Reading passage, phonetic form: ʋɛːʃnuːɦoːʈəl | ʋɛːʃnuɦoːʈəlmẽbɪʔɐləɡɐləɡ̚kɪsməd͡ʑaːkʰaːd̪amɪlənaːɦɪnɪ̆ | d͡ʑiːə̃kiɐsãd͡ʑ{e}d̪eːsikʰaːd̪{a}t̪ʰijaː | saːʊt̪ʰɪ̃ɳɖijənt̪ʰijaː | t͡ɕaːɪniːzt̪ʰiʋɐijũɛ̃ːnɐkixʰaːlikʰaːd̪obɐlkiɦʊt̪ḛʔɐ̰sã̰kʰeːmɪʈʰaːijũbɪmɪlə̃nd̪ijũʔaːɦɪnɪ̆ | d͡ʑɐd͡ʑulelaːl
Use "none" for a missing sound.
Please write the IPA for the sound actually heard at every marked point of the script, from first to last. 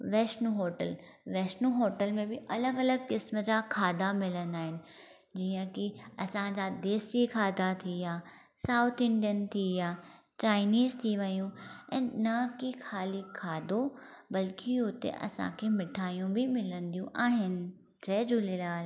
a, a

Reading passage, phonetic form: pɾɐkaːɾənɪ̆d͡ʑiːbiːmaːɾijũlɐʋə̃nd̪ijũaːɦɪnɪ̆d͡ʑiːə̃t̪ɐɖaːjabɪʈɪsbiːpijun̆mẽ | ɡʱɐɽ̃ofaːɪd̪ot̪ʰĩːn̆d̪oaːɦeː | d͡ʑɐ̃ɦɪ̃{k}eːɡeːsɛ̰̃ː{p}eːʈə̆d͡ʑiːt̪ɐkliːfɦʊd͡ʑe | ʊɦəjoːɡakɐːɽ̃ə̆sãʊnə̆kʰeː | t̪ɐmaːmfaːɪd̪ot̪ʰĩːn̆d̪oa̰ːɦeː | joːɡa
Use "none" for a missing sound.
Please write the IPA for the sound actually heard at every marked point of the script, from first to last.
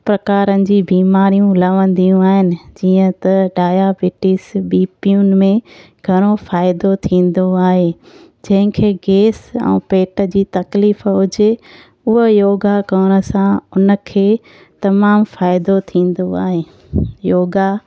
kʰ, p

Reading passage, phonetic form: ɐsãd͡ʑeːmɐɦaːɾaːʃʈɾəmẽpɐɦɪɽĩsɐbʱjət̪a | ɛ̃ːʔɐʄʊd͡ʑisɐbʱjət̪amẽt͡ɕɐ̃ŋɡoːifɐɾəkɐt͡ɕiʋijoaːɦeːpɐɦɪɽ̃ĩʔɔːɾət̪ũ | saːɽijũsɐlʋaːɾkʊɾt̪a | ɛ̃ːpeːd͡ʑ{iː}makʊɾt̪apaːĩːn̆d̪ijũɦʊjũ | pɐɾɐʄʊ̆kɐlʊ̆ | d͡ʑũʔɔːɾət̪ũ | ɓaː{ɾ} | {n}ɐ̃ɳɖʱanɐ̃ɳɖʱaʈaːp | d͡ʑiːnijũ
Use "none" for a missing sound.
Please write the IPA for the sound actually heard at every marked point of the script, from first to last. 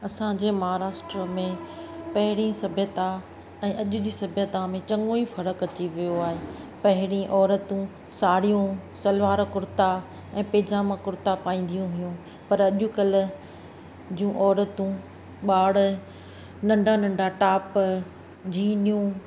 aː, ɽ, n

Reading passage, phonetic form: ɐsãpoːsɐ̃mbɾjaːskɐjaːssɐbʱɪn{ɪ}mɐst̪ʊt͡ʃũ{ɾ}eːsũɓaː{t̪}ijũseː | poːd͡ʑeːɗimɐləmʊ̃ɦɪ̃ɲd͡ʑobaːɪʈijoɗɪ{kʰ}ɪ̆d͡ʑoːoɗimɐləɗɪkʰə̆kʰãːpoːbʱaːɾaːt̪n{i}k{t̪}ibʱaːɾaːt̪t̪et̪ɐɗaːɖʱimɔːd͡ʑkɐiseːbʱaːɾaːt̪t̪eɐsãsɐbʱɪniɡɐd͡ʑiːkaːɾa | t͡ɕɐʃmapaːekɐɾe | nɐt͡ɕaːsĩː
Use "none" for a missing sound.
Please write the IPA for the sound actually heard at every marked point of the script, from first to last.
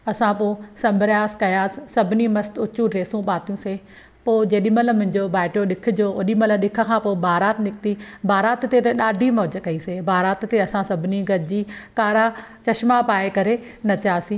i, ɾ, t̪, kʰ, ɪ, t̪

